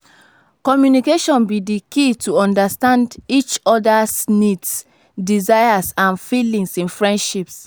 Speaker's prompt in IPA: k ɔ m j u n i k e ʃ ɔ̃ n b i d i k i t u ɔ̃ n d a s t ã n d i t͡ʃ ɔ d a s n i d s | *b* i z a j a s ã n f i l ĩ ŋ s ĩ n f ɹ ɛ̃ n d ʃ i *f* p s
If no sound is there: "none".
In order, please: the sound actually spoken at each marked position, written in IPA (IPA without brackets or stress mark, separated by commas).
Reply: d, none